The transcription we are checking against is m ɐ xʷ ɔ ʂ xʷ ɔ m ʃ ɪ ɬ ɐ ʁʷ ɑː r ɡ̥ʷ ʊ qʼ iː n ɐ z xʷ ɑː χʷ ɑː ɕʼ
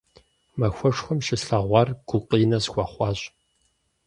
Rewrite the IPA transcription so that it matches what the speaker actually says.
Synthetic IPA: m ɐ xʷ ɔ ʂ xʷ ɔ m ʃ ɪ ɬ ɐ ʁʷ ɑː r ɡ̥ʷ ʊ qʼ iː n ɐ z xʷ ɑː χʷ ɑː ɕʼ